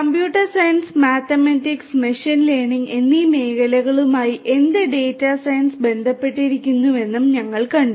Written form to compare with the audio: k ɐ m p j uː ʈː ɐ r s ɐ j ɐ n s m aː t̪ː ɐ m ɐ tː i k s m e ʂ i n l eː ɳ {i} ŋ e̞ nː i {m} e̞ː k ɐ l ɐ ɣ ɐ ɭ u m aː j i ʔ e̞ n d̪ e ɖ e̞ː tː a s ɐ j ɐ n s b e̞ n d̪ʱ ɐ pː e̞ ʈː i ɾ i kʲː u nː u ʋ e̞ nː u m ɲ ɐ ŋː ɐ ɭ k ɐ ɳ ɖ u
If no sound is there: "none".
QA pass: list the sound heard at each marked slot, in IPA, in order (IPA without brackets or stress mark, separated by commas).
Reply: i, m